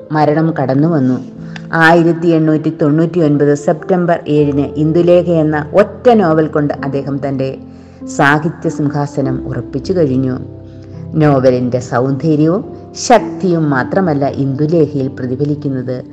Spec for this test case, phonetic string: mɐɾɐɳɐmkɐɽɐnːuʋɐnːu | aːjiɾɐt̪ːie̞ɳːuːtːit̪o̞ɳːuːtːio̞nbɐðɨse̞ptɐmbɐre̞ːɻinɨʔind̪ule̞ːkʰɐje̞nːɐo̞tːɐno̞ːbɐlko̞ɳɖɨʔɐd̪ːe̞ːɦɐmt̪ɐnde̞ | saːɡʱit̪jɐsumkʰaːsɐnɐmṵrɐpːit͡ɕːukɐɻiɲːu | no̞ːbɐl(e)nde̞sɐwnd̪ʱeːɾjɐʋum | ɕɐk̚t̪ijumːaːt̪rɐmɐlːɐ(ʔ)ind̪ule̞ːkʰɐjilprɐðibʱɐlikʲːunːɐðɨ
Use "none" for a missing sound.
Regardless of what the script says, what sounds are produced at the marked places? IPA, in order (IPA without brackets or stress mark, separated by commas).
i, ʔ